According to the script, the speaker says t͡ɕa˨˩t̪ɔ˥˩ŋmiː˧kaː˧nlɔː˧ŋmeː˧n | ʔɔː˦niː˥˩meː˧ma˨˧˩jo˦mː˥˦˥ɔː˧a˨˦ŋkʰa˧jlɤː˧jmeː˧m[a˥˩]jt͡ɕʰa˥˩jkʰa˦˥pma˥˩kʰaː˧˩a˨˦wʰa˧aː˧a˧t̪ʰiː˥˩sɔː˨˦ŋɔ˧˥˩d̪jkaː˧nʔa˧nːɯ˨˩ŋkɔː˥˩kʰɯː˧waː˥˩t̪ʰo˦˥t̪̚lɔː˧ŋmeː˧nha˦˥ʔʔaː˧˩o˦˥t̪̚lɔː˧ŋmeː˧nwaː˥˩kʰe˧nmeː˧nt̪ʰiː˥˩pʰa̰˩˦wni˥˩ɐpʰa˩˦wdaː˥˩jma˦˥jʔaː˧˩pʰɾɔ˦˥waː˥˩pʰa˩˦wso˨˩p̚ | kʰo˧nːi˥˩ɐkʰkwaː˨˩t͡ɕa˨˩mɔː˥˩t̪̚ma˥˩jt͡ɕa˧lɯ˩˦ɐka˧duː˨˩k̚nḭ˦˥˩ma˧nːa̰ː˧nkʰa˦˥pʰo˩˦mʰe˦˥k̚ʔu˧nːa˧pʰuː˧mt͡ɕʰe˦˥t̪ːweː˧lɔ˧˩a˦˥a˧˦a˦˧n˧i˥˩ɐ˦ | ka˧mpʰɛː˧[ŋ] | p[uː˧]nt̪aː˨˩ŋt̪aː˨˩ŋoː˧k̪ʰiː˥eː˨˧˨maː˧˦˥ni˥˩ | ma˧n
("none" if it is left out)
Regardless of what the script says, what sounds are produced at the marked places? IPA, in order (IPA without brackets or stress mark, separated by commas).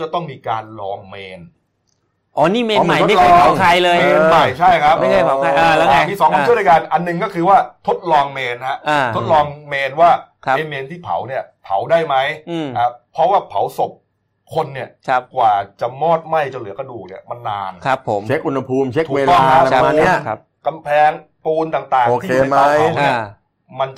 a˨˩, ŋ, uː˧